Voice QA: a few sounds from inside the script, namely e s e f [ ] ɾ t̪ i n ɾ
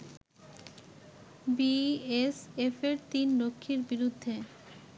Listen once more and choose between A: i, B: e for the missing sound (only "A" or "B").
B